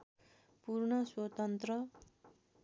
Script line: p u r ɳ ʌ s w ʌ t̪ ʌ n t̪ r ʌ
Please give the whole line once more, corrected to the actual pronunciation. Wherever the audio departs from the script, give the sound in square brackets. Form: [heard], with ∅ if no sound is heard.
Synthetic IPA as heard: p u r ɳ ʌ s w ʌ t̪ ʌ n t̪ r ʌ